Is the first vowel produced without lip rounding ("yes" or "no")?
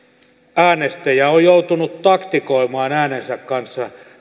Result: yes